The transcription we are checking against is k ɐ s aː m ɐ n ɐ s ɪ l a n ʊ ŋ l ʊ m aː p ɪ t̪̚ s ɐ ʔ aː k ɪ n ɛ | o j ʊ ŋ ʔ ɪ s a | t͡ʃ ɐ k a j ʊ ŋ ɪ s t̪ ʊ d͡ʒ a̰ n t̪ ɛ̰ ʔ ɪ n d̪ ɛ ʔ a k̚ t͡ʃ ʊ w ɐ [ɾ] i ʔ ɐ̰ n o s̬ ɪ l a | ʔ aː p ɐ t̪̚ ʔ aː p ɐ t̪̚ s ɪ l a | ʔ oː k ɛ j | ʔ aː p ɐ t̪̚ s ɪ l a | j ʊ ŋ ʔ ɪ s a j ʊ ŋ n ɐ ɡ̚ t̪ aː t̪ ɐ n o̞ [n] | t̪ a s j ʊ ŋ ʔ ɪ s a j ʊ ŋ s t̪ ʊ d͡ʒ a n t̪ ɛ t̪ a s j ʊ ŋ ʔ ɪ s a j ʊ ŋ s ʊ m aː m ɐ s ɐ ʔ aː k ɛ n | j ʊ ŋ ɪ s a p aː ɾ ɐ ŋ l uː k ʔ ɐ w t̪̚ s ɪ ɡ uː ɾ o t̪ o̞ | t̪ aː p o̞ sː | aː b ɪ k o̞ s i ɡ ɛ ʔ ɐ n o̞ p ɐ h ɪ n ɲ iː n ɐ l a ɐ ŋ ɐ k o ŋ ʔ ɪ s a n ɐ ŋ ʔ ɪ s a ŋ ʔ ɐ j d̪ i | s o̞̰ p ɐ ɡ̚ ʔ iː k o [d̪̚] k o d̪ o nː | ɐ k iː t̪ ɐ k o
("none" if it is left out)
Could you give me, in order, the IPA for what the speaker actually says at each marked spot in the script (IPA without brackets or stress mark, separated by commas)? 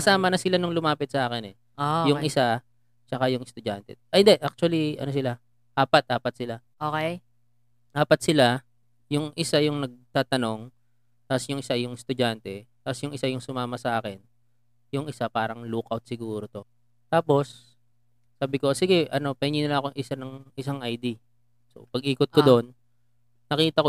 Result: l, ŋ, t̪̚